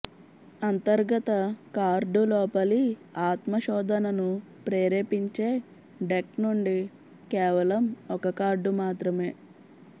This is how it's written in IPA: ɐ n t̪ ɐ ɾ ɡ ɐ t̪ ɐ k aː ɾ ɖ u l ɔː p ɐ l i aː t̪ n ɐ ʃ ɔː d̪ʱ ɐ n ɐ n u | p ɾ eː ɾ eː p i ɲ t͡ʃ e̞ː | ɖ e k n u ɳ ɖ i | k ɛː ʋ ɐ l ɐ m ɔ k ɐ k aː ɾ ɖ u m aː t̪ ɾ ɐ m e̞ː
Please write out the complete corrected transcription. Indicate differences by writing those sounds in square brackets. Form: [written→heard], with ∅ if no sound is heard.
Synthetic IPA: ɐ n t̪ ɐ ɾ ɡ ɐ t̪ ɐ k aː ɾ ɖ u l ɔː p ɐ l i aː t̪ [n→m] ɐ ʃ ɔː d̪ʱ ɐ n ɐ n u | p ɾ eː ɾ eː p i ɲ t͡ʃ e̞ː | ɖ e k n u ɳ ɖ i | k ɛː ʋ ɐ l ɐ m ɔ k ɐ k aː ɾ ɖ u m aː t̪ ɾ ɐ m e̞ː